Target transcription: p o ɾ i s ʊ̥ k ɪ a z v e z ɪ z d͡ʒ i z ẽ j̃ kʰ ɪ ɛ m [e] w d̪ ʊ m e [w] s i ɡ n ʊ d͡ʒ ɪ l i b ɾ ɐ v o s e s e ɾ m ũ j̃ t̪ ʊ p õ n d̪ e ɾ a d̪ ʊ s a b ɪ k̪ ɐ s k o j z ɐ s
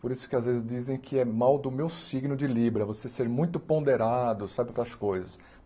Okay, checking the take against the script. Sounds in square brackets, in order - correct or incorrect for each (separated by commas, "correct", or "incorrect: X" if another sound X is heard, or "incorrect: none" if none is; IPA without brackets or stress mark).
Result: incorrect: a, correct